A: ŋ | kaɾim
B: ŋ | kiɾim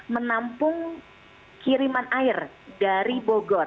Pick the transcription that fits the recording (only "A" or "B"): B